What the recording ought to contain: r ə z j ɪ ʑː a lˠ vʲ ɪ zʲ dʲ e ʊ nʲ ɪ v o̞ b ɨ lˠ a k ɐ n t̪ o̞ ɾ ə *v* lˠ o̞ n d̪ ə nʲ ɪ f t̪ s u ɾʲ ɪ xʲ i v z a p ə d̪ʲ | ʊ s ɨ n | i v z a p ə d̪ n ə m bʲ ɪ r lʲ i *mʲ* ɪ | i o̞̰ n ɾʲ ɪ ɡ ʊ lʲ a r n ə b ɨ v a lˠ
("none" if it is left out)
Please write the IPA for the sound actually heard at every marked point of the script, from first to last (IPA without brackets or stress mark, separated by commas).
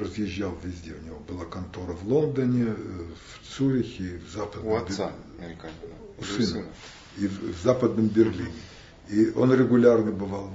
v, nʲ